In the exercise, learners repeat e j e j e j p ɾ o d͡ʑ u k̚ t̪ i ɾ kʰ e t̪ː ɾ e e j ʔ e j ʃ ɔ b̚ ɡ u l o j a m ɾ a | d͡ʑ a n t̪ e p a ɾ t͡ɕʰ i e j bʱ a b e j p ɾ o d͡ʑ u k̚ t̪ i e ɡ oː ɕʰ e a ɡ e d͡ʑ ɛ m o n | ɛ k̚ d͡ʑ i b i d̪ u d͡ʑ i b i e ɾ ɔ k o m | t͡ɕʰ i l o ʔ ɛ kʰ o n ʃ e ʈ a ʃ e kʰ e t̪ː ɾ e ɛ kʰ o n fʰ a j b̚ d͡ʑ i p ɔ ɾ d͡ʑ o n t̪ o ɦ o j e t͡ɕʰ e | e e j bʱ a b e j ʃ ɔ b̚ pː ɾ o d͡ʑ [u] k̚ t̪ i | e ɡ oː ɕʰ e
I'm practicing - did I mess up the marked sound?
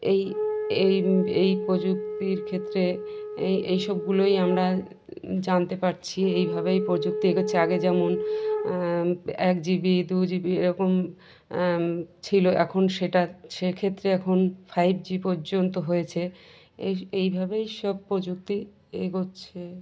no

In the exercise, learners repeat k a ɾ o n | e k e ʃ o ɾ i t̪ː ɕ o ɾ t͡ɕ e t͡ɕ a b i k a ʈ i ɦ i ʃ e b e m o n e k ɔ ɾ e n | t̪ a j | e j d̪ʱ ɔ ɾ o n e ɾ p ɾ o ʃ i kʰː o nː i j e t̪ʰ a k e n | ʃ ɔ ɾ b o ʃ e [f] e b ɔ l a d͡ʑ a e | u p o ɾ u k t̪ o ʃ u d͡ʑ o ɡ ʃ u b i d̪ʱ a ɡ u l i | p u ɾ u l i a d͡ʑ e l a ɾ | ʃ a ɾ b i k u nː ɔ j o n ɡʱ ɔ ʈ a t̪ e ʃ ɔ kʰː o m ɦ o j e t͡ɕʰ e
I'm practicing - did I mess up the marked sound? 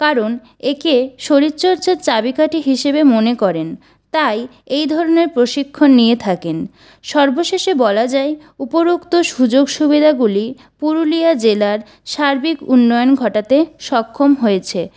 yes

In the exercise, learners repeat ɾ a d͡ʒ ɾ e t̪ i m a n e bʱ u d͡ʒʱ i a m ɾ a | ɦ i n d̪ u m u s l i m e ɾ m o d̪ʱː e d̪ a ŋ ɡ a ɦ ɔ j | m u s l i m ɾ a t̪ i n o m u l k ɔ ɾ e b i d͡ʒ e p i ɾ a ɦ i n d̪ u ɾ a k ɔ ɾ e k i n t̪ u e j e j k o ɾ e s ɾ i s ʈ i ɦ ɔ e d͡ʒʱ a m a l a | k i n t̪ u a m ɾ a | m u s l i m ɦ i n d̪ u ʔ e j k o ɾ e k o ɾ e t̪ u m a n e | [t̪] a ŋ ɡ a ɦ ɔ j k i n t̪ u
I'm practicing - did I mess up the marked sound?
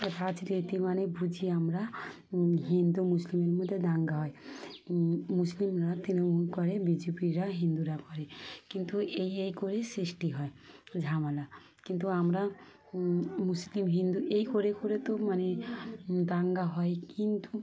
yes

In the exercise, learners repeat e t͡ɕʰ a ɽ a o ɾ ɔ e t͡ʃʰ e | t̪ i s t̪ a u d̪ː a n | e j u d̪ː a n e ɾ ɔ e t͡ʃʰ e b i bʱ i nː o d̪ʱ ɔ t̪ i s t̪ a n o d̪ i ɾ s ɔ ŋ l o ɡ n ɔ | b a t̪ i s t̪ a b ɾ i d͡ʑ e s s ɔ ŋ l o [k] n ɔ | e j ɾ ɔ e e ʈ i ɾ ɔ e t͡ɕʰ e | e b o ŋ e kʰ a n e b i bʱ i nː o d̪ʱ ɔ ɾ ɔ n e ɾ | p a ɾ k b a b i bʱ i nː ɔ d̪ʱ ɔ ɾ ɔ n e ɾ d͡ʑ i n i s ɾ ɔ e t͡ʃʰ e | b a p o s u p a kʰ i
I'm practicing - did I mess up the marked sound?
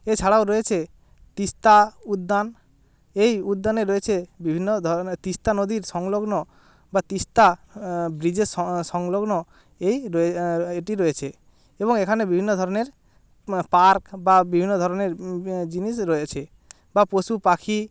yes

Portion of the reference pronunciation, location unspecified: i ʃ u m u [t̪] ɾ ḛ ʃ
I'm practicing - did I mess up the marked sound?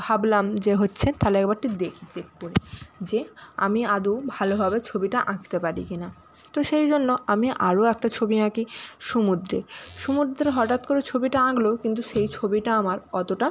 yes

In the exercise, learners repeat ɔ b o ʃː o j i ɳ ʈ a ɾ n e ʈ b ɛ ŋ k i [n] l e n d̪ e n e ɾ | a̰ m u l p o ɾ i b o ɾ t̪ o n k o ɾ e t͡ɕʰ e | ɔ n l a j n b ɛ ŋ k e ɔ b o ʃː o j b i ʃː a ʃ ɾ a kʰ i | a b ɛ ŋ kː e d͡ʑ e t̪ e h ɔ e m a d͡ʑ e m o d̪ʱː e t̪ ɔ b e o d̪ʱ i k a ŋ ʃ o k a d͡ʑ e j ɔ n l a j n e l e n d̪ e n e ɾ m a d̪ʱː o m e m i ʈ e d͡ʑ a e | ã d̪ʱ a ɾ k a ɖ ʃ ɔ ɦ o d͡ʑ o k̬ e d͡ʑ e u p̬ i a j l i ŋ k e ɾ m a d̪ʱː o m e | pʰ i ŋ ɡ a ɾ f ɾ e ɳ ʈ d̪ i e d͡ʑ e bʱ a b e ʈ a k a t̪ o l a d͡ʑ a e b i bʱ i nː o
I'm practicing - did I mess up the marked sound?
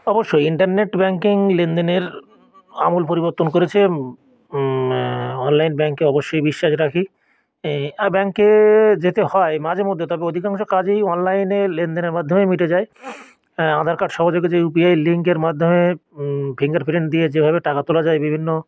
yes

